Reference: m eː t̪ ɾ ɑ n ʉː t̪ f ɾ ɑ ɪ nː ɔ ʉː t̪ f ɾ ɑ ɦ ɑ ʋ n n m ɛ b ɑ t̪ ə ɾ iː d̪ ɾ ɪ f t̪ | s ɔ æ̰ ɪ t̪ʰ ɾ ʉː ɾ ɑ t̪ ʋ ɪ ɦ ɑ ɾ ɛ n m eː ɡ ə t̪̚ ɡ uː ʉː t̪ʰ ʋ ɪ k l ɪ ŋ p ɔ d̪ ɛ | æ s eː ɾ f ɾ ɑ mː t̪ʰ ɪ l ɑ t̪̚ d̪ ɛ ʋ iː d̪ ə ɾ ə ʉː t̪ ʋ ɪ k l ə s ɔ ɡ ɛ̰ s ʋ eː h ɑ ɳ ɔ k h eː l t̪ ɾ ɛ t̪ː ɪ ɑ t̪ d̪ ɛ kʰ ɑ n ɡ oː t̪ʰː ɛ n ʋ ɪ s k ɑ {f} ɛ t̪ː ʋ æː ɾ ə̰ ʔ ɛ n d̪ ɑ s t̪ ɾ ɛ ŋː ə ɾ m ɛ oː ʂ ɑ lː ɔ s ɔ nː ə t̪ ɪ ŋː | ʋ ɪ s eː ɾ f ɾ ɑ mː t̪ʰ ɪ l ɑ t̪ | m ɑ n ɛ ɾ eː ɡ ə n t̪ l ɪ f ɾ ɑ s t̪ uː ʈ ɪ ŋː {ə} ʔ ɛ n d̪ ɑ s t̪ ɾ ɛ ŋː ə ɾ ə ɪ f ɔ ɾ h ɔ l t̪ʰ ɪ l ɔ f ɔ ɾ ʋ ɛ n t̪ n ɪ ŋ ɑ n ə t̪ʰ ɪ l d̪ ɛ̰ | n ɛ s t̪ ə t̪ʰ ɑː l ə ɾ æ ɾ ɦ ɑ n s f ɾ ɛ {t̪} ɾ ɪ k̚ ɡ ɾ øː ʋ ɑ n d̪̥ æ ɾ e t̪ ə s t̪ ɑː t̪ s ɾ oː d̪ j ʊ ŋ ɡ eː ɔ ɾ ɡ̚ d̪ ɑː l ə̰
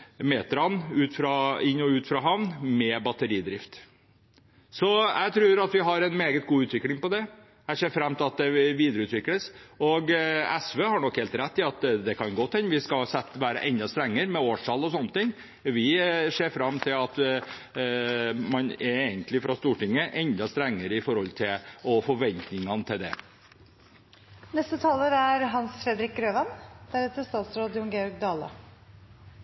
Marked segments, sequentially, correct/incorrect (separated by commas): incorrect, correct, incorrect